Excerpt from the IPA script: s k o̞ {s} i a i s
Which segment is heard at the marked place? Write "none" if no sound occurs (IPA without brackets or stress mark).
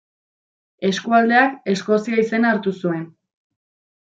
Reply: s